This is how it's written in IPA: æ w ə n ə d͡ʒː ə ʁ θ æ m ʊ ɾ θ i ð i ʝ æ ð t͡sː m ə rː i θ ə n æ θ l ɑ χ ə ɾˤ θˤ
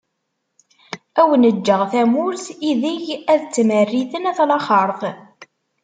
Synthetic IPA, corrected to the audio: æ w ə n ə d͡ʒː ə ʁ θ æ m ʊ ɾ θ i ð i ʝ æ ð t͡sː m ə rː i θ ə n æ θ l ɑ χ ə ɾˤ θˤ